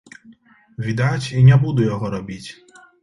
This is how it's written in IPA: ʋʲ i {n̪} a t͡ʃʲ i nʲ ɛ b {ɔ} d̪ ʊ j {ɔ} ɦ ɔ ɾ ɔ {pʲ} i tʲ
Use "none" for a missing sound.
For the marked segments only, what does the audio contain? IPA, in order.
d̪, u, ɔ, bʲ

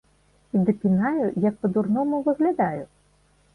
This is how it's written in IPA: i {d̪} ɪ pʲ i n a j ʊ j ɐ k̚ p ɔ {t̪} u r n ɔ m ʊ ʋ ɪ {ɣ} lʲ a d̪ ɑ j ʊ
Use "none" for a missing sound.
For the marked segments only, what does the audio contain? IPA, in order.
d̪, d̪, ɣ

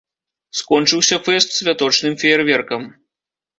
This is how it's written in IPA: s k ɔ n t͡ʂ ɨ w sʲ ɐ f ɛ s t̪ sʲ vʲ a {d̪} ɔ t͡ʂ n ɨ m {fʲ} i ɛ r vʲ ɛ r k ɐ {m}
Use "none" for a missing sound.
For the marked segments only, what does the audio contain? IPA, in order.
t̪, fʲ, m

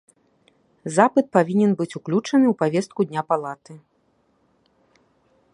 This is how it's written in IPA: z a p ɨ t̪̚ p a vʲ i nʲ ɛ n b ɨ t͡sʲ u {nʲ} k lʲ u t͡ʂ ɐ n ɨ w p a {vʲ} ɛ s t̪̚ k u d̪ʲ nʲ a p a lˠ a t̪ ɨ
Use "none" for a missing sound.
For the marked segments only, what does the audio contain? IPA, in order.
none, vʲ

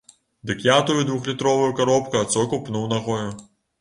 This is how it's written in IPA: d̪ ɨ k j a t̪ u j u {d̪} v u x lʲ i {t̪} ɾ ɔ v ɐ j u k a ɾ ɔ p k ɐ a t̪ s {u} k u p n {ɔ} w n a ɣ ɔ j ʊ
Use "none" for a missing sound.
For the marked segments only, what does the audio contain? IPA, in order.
d̪, t̪, ɔ, u

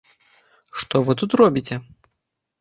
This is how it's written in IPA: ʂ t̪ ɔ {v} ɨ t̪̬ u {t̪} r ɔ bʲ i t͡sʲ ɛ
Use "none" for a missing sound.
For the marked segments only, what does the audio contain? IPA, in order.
v, t̪

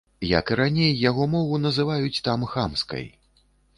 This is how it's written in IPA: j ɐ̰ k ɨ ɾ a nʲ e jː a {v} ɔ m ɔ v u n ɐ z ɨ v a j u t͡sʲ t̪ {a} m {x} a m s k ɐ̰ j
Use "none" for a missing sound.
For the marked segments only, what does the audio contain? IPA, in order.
ɣ, a, x

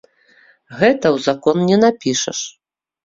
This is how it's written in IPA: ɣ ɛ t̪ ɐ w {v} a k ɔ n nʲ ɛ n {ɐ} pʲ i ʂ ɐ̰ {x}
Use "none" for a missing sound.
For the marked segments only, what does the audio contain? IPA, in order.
z, a, ʂ

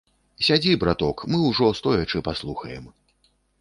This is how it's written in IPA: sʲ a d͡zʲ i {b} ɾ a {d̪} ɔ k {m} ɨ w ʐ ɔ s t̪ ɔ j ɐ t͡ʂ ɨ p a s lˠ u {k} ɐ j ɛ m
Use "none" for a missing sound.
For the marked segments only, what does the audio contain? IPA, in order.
b, t̪, m, x

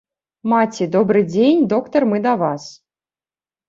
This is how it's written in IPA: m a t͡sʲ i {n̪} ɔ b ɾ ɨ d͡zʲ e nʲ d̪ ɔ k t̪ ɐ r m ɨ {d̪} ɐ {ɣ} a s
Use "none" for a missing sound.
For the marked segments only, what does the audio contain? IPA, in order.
d̪, d̪, v

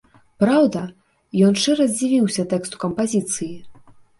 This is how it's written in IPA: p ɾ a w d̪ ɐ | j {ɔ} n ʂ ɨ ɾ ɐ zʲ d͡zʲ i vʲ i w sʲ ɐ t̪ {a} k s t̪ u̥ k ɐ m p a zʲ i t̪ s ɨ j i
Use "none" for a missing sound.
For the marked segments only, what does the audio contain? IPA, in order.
ɔ, ɛ

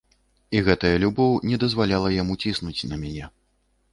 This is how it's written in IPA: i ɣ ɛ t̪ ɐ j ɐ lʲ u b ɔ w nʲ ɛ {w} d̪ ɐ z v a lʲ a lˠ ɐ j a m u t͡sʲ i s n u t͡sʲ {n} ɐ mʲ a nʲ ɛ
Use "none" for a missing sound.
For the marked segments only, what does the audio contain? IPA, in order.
none, n

